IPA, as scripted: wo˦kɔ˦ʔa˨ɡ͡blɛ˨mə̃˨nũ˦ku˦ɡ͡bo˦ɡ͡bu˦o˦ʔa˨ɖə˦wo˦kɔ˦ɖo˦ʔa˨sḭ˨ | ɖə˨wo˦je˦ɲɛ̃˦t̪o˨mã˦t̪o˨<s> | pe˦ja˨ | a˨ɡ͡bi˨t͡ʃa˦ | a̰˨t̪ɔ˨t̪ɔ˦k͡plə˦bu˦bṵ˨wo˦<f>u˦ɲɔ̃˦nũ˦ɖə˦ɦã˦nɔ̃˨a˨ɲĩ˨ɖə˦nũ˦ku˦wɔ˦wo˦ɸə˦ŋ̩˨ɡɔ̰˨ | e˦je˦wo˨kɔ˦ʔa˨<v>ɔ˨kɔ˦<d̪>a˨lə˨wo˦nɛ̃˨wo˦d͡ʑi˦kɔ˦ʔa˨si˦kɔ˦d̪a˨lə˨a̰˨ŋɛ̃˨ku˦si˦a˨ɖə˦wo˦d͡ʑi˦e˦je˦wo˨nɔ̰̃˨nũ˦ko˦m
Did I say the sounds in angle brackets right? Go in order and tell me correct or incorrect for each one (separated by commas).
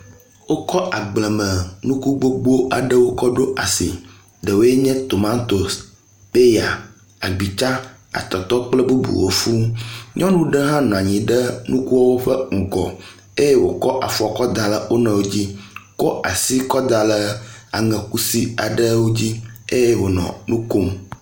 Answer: correct, correct, incorrect, correct